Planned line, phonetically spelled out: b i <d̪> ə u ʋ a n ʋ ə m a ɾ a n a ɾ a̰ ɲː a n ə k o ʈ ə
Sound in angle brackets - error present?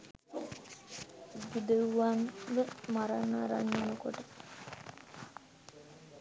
no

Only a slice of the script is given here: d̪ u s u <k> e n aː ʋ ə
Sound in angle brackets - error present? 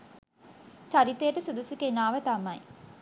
no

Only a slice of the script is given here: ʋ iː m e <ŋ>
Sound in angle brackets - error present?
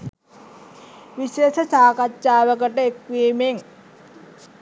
no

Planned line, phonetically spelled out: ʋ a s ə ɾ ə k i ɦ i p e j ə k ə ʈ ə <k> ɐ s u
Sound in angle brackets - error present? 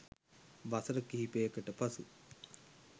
yes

